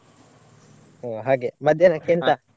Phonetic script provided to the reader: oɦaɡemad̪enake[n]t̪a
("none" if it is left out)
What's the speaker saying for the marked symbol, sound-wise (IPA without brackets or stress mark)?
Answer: n